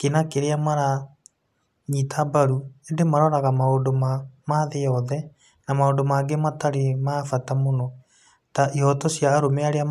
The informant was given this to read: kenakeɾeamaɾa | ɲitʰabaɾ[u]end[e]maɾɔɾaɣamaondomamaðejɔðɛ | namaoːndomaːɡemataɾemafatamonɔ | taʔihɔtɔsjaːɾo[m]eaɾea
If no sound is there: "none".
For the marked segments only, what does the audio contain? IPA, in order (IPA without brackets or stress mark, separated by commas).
u, e, m